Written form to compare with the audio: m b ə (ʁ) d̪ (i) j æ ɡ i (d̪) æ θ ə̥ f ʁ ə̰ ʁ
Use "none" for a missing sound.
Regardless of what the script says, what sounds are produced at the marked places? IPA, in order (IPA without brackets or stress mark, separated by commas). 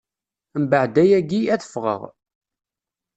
ʕ, æ, none